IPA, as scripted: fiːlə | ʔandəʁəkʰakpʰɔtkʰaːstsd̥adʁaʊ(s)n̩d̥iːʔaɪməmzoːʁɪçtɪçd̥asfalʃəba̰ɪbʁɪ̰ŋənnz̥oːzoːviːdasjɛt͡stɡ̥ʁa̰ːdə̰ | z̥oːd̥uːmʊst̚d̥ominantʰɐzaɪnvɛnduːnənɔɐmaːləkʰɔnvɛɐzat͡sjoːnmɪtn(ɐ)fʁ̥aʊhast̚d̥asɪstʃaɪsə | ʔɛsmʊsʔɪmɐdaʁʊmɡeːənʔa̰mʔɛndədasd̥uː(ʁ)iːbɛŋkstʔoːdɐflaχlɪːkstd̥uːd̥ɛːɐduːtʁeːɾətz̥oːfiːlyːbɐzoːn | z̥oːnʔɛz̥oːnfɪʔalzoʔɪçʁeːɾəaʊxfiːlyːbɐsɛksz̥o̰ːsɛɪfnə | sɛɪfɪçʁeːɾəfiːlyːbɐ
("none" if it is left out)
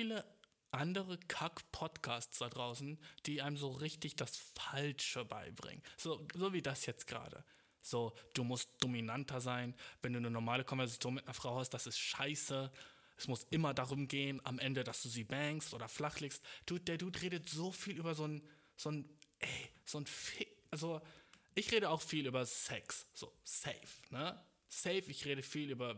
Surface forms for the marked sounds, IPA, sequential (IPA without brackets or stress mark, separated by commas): s, ɐ, z